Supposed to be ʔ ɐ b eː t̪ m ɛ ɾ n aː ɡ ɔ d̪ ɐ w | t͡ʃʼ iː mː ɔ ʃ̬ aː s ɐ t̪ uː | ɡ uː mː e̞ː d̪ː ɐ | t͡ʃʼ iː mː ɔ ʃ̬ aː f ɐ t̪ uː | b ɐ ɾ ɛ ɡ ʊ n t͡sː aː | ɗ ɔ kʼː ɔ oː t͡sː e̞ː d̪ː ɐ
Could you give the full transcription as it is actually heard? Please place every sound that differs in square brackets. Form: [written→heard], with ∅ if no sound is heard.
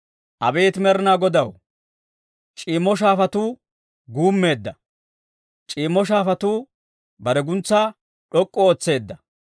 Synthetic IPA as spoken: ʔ ɐ b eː t̪ m ɛ ɾ n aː ɡ ɔ d̪ ɐ w | t͡ʃʼ iː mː ɔ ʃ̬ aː [s→f] ɐ t̪ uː | ɡ uː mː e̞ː d̪ː ɐ | t͡ʃʼ iː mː ɔ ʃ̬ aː f ɐ t̪ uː | b ɐ ɾ ɛ ɡ ʊ n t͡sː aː | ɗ ɔ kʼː ɔ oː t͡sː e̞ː d̪ː ɐ